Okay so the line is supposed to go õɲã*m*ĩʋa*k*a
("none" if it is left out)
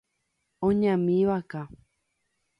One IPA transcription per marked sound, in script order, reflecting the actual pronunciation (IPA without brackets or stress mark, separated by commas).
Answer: m, k